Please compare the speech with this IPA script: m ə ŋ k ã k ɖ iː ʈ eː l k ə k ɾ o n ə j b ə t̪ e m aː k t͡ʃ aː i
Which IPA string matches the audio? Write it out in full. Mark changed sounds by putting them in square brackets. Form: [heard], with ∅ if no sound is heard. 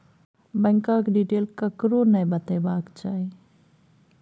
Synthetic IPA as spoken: [b] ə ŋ k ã k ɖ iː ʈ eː l k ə k ɾ o n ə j b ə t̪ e [b] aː k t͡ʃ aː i